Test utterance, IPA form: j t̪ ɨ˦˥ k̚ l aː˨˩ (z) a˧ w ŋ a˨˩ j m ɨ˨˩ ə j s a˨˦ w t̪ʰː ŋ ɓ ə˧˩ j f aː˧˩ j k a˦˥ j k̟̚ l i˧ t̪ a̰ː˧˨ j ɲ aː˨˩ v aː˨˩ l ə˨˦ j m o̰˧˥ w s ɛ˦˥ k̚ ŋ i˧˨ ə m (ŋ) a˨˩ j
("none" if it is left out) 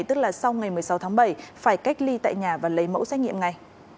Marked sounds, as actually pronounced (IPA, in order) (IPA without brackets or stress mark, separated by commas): s, ŋ